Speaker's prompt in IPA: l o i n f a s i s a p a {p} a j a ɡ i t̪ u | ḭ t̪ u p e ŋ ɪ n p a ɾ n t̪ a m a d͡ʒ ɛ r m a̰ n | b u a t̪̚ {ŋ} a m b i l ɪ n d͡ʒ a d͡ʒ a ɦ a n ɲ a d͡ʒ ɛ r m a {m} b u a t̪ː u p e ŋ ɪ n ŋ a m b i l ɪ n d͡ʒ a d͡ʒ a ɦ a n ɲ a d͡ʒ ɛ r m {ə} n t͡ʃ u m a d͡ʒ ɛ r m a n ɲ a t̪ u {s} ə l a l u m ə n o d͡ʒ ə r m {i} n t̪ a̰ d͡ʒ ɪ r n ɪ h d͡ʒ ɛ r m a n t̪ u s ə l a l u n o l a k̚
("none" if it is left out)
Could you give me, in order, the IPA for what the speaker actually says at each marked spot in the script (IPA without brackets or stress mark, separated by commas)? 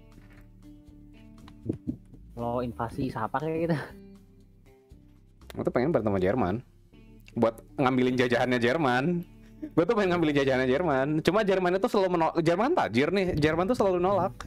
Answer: k, ŋ, n, a, s, a